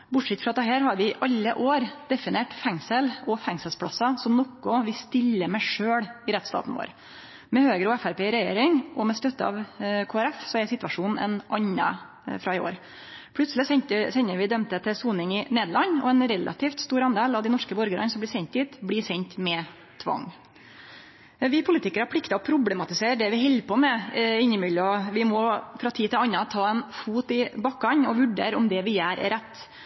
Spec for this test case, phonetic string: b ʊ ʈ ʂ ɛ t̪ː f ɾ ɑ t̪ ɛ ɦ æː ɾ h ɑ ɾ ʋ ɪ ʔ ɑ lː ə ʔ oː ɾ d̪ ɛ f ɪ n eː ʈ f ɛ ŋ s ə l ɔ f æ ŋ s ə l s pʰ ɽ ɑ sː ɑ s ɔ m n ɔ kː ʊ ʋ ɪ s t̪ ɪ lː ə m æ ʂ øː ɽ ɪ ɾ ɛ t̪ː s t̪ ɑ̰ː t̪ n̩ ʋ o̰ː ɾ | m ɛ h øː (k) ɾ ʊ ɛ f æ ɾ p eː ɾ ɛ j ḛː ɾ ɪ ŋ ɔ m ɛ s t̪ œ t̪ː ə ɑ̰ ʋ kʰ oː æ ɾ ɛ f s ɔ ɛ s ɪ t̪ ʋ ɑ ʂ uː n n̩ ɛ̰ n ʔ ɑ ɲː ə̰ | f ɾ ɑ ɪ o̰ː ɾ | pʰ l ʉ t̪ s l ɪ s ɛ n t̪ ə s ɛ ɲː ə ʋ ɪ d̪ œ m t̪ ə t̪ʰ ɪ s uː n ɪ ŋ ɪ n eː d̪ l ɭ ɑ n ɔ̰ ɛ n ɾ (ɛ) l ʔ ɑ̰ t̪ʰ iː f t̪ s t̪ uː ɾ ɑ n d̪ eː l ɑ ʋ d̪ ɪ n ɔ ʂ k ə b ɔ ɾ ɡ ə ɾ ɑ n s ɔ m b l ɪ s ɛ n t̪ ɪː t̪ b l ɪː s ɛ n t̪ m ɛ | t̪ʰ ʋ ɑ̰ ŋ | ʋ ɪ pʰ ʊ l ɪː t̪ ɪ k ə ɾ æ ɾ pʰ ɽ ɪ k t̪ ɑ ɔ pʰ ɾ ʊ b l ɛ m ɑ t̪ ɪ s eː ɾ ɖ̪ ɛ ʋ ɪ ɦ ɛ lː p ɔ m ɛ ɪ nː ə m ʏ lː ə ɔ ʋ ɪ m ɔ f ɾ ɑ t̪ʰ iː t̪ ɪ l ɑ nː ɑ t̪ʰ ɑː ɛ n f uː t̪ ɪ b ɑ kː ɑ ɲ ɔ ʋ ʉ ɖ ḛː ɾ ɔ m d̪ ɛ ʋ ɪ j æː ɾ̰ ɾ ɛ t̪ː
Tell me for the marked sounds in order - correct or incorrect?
incorrect: ɡ, correct

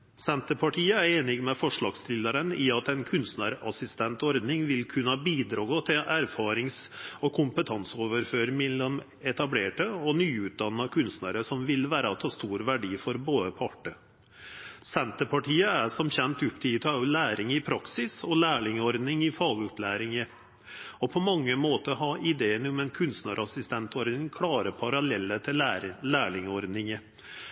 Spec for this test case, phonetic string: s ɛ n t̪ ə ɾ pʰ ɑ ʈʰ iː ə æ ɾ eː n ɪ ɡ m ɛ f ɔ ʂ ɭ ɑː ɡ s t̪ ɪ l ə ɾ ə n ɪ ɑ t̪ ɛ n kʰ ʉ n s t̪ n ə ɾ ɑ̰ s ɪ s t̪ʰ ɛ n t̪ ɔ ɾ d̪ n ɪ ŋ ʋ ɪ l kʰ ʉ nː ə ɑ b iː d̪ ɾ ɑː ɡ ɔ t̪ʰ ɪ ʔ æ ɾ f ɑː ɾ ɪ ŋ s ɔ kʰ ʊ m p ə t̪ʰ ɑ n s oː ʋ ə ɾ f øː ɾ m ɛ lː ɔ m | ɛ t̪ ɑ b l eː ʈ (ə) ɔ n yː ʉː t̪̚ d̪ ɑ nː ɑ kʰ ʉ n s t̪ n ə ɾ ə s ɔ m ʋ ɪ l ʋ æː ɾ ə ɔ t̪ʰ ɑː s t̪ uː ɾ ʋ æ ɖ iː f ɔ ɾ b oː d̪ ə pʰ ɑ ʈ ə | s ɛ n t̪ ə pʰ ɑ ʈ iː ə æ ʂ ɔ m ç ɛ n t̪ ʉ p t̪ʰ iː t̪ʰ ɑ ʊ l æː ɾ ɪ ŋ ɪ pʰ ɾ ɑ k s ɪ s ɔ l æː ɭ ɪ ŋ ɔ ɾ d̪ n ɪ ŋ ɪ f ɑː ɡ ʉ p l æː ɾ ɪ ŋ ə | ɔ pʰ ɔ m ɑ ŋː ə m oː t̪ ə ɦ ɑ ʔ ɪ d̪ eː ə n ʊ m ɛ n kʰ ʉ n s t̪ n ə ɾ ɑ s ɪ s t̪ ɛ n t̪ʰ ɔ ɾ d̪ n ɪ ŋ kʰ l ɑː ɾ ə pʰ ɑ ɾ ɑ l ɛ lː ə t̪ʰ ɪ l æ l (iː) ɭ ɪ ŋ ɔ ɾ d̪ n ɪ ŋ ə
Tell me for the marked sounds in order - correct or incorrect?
correct, incorrect: æː

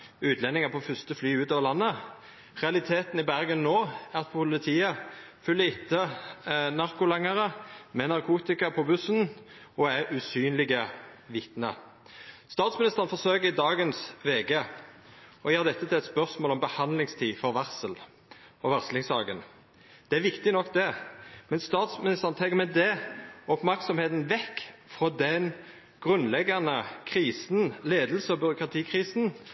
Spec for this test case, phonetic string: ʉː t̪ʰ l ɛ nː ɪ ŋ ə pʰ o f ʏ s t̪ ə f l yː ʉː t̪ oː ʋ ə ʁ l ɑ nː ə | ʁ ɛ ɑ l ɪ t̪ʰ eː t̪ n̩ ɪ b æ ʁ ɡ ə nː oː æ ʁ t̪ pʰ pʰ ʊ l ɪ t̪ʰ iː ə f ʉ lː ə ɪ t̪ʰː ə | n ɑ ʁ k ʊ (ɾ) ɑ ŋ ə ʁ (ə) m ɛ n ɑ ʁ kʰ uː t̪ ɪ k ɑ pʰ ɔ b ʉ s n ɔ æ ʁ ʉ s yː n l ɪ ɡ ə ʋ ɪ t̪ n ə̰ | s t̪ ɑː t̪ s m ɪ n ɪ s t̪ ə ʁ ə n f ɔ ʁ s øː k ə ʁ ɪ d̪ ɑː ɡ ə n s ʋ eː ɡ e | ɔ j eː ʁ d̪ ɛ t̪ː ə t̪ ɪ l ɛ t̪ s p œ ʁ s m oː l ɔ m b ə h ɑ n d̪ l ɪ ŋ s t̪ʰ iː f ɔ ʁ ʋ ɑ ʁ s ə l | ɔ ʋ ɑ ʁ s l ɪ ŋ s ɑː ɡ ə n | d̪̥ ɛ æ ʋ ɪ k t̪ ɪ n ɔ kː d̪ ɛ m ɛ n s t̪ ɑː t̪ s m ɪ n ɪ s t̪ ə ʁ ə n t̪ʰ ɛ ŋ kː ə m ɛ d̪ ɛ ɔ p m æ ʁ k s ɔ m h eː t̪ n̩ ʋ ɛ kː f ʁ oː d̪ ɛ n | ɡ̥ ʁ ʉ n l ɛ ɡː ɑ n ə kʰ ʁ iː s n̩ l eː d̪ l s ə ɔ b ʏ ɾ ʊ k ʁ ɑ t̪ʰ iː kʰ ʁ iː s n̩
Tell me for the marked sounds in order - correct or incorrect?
incorrect: l, correct

